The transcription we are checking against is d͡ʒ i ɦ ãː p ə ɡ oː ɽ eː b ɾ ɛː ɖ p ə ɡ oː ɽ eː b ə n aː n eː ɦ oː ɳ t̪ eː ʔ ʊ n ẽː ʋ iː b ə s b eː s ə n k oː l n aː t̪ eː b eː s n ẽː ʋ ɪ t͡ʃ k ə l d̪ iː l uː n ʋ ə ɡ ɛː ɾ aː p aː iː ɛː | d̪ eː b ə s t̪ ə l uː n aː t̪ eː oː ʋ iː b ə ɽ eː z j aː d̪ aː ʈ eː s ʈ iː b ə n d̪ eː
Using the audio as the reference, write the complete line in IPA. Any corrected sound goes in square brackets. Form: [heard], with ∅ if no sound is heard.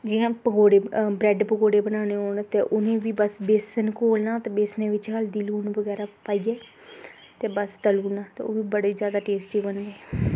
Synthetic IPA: d͡ʒ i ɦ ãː p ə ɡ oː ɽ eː b ɾ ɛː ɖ p ə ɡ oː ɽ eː b ə n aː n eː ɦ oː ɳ t̪ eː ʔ ʊ n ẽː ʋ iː b ə s b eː s ə n k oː l n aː t̪ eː b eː s n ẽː ʋ ɪ t͡ʃ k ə l d̪ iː l uː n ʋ ə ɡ ɛː ɾ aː p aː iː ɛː | [t̪] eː b ə s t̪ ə l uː n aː t̪ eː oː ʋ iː b ə ɽ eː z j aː d̪ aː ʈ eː s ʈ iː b ə n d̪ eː